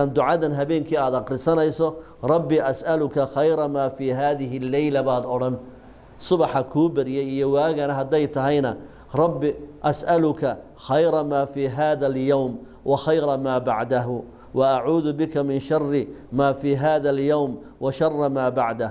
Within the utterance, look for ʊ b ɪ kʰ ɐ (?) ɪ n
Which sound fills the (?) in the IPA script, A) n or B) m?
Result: B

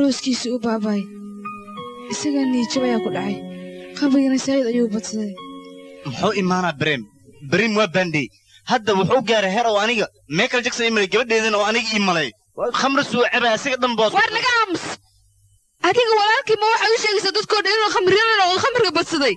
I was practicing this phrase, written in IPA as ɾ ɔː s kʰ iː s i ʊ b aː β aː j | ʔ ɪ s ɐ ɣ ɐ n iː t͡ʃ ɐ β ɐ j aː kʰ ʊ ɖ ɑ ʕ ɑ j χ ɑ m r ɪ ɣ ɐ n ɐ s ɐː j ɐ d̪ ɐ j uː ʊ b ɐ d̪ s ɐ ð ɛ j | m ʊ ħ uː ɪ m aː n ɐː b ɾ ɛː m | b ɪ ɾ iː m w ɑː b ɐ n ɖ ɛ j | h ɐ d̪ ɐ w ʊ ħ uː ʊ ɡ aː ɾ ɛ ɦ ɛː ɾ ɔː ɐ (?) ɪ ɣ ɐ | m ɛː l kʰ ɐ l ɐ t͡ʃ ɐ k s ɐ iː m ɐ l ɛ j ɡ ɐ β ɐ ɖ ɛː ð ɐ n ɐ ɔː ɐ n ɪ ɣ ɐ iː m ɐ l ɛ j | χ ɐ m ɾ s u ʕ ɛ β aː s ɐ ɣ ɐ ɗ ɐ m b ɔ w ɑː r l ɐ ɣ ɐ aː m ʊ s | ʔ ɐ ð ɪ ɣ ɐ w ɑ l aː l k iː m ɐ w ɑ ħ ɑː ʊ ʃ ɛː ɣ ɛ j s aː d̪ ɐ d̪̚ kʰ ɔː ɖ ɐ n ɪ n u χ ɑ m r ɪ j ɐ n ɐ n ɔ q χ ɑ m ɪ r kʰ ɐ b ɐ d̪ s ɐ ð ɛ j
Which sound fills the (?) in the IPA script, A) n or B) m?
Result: A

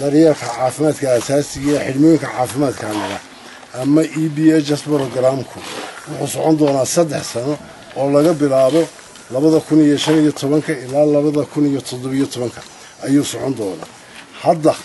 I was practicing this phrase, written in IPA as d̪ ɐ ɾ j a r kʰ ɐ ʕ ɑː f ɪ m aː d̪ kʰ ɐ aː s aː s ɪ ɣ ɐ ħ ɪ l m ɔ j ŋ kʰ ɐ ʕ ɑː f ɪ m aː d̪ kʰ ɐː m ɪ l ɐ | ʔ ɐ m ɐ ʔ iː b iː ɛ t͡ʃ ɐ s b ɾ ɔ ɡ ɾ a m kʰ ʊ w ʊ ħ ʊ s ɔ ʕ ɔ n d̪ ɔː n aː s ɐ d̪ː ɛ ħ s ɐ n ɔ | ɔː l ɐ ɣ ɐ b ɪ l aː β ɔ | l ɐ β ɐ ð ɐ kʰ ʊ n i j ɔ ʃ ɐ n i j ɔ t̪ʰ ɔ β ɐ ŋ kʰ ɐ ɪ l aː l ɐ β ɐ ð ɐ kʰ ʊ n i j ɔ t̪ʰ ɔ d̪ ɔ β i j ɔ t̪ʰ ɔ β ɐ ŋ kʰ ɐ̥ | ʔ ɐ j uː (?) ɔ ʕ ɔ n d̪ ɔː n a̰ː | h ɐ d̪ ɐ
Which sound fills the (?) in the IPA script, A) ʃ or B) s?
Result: B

